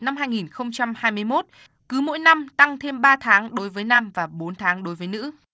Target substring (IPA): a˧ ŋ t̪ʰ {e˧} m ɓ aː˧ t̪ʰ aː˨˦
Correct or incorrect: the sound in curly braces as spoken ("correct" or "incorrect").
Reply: correct